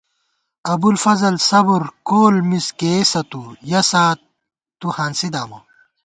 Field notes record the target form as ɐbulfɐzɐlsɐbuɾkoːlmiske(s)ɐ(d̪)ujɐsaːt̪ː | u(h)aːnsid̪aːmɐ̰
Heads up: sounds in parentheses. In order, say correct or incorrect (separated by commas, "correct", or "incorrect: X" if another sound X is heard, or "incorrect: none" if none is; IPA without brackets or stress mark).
correct, incorrect: t̪, correct